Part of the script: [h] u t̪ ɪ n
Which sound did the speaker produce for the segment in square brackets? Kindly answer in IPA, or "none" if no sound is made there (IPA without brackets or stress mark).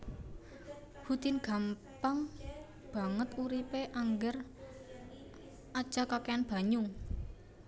h